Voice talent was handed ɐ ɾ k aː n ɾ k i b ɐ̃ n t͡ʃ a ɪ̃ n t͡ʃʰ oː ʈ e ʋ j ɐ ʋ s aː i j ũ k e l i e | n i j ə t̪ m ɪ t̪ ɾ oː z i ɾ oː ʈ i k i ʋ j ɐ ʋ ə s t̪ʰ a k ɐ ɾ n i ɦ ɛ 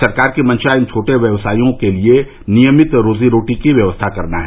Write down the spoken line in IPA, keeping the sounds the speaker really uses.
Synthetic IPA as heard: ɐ ɾ k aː ɾ k i m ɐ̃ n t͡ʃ a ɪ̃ n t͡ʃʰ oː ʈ e ʋ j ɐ ʋ s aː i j õ k e l i e | n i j ə m ɪ t̪ ɾ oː z i ɾ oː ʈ i k i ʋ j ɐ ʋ ə s t̪ʰ a k ɐ ɾ n a ɦ ɛ